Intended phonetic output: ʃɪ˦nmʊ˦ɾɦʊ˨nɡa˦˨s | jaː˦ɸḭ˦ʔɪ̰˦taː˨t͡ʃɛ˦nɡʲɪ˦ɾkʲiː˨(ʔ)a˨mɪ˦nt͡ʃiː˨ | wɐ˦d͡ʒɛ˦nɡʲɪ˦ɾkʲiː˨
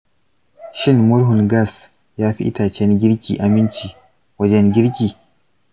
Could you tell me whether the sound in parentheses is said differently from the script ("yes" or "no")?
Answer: no